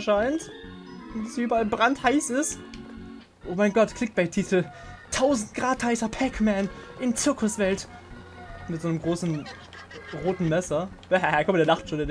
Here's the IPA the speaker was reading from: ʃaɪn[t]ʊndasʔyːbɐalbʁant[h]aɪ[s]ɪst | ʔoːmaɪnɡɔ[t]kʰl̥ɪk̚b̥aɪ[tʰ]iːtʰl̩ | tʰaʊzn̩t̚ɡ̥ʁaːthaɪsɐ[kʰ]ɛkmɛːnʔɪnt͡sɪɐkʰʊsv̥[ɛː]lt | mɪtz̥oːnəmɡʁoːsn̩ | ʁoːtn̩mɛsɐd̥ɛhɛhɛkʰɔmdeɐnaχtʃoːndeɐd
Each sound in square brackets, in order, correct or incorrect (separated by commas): correct, correct, correct, correct, correct, incorrect, incorrect